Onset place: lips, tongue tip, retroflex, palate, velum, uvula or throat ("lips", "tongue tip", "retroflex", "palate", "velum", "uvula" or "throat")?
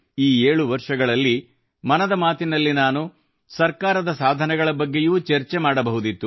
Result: retroflex